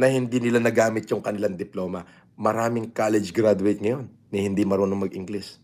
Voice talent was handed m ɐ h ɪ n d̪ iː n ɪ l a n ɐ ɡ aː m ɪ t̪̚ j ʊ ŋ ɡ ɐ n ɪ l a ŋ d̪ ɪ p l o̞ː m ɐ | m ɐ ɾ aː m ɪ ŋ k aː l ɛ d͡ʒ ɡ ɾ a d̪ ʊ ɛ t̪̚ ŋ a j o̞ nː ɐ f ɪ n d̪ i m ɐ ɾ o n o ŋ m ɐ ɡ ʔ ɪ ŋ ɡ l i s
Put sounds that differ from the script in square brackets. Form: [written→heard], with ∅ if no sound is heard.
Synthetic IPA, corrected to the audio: [m→n] ɐ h ɪ n d̪ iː n ɪ l a n ɐ ɡ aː m ɪ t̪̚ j ʊ ŋ [ɡ→k] ɐ n ɪ l a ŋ d̪ ɪ p l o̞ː m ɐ | m ɐ ɾ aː m ɪ ŋ k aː l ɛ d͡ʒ ɡ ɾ a d̪ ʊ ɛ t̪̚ ŋ [a→ɐ] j o̞ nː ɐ [f→h] ɪ n d̪ i m ɐ ɾ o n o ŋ m ɐ ɡ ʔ ɪ ŋ ɡ l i s